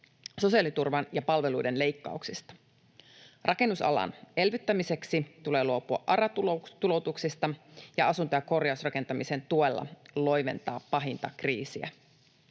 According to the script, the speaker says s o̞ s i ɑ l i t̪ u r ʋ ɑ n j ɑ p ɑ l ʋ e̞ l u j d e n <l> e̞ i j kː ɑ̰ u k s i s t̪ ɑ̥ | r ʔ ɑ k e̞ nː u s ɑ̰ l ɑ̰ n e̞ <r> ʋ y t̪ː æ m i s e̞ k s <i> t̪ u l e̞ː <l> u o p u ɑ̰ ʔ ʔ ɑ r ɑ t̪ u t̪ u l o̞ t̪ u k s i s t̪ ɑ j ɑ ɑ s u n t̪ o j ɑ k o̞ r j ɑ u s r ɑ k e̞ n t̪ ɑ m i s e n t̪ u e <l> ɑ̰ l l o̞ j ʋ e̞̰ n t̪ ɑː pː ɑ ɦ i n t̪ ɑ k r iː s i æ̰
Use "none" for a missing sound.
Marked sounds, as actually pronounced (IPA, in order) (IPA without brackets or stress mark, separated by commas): l, l, i, l, lː